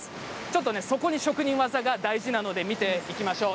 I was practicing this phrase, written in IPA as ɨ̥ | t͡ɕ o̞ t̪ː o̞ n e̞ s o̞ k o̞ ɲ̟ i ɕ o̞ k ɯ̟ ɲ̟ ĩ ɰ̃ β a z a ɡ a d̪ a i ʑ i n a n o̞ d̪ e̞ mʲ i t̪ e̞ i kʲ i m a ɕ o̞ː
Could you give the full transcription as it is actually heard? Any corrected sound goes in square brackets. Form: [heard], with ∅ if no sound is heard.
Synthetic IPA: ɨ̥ | t͡ɕ o̞ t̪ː o̞ n e̞ s o̞ k o̞ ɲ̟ i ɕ o̞ k ɯ̟ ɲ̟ ĩ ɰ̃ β a z a ɡ a d̪ a i ʑ i n a n o̞ d̪ e̞ mʲ i t̪ e̞ i kʲ i m a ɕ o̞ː